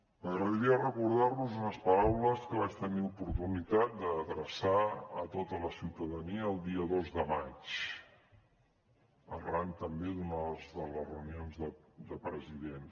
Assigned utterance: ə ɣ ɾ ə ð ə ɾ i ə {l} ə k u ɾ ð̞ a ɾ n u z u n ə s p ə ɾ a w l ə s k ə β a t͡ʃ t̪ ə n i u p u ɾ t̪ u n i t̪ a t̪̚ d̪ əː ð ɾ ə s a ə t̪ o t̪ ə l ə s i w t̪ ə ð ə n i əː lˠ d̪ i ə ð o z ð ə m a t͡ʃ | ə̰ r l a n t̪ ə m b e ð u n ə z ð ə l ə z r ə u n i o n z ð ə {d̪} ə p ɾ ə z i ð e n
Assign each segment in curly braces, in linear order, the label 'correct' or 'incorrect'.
incorrect: r, correct

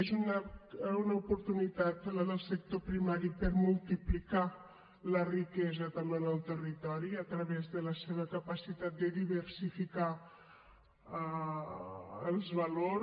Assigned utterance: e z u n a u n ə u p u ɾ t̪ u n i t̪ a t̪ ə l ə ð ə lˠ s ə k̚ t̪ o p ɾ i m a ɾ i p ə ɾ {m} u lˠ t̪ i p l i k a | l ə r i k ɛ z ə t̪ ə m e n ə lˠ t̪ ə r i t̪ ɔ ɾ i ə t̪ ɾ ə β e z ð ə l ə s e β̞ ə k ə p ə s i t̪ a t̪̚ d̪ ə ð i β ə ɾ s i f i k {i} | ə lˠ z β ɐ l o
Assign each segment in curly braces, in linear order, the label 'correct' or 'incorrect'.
correct, incorrect: a

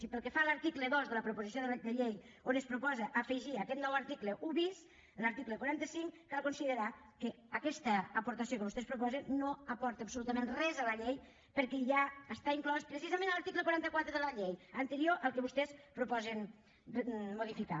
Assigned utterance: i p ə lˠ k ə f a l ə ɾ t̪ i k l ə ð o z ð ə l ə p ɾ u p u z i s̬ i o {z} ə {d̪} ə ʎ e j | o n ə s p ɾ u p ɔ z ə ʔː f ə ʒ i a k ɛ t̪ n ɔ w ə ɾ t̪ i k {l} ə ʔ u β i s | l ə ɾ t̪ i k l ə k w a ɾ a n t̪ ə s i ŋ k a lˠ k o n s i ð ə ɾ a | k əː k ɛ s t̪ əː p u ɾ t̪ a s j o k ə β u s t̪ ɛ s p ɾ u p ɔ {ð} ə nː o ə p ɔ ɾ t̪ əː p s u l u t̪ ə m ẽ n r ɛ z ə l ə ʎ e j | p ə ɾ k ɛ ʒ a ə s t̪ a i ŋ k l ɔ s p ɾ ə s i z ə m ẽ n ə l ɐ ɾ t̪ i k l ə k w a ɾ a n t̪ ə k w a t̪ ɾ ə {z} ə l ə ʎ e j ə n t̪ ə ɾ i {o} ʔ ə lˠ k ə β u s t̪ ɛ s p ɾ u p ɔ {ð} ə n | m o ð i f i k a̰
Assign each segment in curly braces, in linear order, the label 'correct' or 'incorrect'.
incorrect: ð, correct, correct, incorrect: z, incorrect: ð, correct, incorrect: z

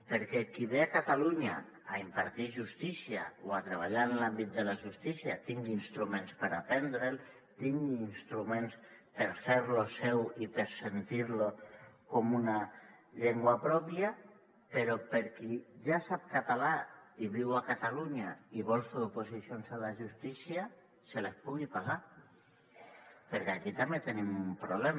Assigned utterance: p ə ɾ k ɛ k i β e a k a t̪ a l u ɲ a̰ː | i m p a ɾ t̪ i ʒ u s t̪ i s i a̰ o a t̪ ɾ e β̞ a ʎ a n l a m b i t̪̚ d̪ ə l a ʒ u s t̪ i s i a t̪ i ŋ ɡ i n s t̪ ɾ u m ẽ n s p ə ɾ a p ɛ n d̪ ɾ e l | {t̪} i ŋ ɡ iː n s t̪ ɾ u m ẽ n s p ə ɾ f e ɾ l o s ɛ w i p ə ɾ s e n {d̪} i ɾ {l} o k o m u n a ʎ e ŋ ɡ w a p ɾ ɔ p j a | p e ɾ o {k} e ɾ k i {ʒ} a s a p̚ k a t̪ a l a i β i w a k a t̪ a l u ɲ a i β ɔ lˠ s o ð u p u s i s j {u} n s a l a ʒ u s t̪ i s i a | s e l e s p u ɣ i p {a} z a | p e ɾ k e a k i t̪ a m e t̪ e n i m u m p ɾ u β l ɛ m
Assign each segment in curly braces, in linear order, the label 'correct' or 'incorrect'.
correct, incorrect: t̪, correct, incorrect: p, correct, incorrect: o, correct

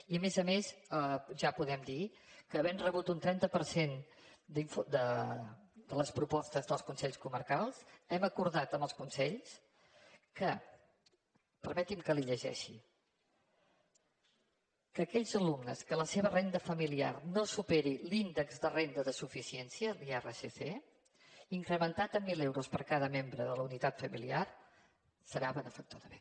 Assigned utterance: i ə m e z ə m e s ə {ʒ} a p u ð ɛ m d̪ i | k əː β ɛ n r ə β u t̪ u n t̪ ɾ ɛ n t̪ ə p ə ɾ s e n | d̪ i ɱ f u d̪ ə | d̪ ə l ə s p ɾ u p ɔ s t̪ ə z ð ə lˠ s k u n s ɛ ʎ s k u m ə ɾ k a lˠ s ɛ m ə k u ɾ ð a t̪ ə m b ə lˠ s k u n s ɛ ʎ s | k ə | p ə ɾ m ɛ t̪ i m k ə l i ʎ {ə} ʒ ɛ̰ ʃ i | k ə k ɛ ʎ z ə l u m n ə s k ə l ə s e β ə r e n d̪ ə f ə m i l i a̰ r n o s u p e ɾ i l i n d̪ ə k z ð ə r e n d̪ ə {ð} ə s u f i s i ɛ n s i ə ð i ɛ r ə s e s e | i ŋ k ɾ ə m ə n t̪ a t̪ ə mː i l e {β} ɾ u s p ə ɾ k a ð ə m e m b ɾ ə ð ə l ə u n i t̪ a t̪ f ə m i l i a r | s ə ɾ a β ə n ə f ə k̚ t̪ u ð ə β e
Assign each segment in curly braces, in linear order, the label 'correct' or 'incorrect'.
correct, correct, correct, incorrect: w

